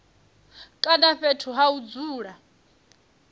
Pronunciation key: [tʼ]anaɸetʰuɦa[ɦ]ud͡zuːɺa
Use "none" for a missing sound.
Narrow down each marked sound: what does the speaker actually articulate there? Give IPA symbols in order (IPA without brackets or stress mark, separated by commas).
kʼ, none